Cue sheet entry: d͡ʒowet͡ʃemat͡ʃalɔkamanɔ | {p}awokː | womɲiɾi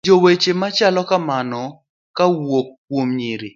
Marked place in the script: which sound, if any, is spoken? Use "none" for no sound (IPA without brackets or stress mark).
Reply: k